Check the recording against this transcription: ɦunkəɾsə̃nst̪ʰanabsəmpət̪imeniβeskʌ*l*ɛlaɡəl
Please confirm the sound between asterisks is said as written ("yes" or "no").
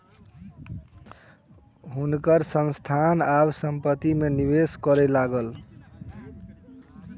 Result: no